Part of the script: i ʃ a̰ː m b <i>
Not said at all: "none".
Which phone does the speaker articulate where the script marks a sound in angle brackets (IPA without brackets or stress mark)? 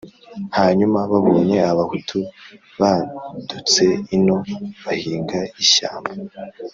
a